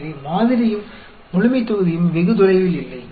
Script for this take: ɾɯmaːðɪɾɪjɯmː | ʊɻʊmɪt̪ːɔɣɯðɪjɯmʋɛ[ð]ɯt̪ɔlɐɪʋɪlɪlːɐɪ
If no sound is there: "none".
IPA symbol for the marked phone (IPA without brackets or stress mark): ɣ